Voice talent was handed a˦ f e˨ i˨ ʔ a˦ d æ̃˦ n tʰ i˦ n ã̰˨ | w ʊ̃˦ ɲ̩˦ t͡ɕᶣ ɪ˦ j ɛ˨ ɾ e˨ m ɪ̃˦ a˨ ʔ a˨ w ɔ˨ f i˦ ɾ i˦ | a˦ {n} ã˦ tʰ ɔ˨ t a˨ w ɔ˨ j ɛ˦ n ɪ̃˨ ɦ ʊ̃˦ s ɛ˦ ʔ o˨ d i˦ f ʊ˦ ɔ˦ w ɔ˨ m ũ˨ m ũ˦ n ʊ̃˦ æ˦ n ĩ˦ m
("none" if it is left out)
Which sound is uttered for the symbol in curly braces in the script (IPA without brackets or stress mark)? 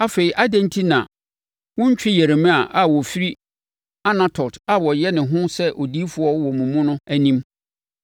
n